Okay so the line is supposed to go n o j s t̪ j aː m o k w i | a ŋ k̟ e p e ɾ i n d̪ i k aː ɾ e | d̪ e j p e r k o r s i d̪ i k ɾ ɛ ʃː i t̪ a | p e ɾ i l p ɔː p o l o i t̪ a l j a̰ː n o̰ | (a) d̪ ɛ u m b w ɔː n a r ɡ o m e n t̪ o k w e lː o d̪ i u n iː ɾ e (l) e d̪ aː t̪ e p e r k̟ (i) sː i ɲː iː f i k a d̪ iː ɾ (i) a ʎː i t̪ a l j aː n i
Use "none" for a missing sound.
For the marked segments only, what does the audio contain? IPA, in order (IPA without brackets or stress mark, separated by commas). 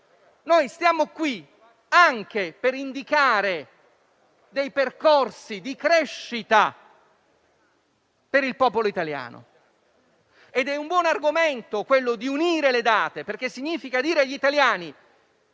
e, l, e, e